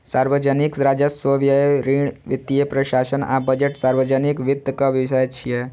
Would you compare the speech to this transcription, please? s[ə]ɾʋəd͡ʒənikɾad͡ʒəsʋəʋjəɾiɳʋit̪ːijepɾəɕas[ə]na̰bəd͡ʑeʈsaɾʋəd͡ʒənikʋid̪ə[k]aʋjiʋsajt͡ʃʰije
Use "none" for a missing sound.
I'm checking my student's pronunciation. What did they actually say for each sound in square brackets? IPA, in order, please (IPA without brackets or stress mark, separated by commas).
a, ə, k